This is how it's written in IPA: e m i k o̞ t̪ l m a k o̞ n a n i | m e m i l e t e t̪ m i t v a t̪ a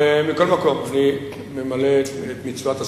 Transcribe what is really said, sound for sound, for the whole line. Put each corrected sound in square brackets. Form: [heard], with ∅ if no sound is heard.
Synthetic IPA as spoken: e m i k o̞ [∅] l m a k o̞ [m] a n i | m e m [a] l e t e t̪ m i [t͡s] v a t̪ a